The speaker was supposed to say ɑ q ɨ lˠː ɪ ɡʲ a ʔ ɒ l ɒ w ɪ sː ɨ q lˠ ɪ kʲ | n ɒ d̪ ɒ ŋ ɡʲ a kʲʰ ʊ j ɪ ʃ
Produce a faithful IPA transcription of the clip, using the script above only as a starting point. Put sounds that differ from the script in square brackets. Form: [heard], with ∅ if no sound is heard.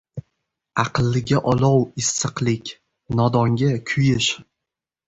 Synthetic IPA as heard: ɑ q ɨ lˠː ɪ ɡʲ a ʔ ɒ l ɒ w ɪ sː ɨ q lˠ ɪ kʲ | n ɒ d̪ ɒ ŋ ɡʲ a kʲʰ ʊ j ɪ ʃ